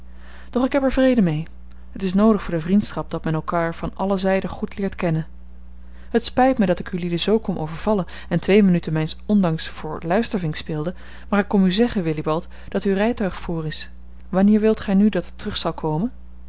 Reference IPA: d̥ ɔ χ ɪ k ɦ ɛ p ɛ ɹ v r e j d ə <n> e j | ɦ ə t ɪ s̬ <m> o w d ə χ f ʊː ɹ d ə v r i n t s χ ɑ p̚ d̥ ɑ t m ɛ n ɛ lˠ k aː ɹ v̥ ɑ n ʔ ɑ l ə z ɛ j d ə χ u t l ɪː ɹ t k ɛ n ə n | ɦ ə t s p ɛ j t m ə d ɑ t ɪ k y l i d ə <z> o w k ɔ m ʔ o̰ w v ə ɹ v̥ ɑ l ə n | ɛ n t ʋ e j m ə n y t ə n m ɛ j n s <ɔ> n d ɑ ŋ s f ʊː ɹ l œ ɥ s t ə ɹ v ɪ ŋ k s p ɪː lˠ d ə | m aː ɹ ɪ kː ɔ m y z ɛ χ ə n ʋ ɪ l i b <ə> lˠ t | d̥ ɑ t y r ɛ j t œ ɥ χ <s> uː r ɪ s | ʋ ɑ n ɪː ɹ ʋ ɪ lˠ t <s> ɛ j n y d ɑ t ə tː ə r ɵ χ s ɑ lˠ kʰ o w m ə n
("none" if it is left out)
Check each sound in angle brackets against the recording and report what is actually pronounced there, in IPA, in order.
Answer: m, n, z, ɔ, ɑ, f, χ

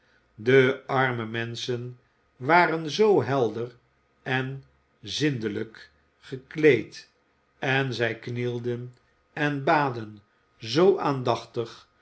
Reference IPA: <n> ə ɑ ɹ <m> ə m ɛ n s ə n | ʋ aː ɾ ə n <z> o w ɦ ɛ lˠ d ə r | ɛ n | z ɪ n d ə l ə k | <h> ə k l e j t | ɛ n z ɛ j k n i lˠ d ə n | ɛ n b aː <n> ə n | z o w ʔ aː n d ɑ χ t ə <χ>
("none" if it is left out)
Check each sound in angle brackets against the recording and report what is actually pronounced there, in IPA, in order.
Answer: d, m, z, χ, d, χ

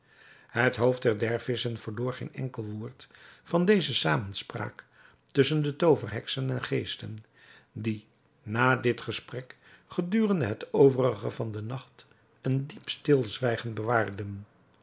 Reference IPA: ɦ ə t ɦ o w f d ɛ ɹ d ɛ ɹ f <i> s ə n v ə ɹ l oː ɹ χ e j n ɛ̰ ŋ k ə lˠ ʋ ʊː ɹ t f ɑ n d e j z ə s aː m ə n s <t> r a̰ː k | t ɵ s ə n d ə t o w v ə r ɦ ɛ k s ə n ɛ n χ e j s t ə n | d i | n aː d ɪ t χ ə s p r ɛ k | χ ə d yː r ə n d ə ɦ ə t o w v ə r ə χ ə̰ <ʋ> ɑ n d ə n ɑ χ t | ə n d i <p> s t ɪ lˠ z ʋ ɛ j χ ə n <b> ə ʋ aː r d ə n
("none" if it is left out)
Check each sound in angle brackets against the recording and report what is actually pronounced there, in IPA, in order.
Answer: ɪ, p, v, p, b

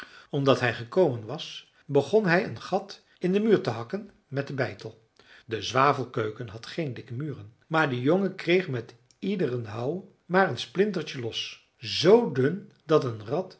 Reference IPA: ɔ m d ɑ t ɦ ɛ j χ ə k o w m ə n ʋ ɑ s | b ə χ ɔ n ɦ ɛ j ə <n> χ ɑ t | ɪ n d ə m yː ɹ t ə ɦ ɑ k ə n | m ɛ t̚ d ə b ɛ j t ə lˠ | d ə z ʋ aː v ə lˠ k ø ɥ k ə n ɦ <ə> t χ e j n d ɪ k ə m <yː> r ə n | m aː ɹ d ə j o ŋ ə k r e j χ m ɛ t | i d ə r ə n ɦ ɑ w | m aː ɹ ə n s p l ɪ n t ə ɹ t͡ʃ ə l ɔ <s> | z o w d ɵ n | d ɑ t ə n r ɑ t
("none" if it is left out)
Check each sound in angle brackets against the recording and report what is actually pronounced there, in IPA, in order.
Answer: n, ɑ, yː, s

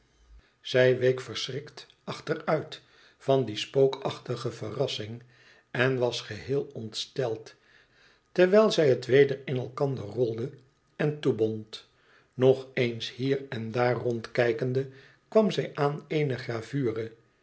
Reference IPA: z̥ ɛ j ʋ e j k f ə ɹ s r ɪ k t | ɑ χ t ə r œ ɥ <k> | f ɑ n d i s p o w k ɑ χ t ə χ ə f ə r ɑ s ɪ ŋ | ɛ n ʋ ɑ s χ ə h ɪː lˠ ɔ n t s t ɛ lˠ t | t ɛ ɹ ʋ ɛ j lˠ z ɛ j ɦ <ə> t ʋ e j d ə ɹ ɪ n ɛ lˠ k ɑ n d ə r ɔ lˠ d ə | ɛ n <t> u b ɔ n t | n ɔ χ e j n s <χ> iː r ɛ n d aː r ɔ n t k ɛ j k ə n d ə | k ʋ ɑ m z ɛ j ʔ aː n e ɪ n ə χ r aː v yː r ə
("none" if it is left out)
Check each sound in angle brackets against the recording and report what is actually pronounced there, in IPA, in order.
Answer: t, ə, t, h

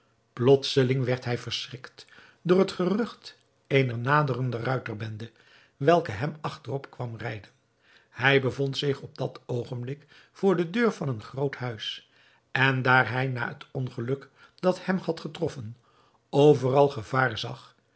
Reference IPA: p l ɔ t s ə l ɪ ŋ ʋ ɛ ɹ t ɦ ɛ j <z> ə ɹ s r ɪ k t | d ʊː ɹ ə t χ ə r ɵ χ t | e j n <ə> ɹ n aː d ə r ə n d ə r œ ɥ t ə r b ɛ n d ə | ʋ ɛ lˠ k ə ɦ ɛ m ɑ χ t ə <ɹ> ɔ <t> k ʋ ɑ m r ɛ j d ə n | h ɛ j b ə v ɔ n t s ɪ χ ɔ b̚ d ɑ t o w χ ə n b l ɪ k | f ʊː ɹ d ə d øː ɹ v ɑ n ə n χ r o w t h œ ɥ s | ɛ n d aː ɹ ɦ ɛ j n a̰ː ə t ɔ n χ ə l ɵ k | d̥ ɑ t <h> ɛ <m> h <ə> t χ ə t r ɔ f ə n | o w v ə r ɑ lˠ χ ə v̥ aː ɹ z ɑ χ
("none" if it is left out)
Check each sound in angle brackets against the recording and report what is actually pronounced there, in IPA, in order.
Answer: v, ə, r, p, h, m, ɑ

